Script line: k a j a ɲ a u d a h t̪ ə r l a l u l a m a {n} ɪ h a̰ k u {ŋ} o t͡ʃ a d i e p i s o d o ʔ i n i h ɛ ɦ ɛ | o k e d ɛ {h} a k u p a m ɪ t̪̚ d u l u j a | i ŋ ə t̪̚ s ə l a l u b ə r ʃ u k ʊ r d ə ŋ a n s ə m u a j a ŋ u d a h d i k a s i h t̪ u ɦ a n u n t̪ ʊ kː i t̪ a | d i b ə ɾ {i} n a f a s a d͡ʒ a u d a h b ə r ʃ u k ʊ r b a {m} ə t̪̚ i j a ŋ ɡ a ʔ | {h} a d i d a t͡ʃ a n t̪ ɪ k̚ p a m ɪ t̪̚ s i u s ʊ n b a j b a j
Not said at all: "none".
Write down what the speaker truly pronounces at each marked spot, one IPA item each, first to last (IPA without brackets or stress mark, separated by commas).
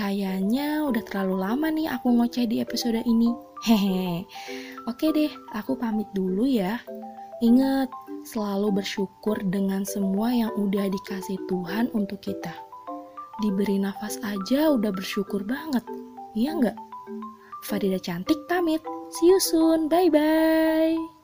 n, ŋ, h, i, ŋ, f